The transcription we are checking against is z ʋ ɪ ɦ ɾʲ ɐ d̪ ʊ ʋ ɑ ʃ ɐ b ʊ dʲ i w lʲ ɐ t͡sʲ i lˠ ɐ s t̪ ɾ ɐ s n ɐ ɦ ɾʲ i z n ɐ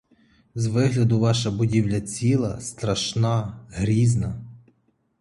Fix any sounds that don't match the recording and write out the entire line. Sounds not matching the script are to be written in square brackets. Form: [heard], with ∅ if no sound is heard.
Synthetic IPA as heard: z ʋ ɪ ɦ [lʲ] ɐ d̪ ʊ ʋ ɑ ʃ ɐ b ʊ dʲ i w lʲ ɐ t͡sʲ i lˠ ɐ s t̪ ɾ ɐ [ʃ] n [ɑ] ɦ ɾʲ i z n ɐ